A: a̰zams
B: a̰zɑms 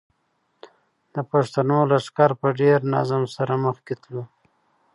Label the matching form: A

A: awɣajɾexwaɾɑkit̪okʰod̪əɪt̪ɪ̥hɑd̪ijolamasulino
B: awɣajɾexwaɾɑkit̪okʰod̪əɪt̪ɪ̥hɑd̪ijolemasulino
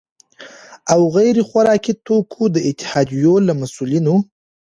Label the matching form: A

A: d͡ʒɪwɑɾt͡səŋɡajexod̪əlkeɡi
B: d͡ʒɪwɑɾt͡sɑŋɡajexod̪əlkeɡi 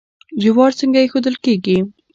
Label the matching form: A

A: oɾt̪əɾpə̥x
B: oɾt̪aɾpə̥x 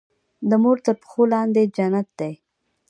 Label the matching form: A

